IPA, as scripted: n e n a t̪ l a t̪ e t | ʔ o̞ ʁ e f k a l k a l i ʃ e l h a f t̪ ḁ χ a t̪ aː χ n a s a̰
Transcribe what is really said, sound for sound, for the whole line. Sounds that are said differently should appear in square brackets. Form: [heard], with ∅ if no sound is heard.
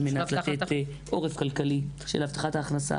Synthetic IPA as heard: [m] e n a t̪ l a t̪ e t | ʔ o̞ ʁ e f k a l k a l i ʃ e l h a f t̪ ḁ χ a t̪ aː χ n a s a̰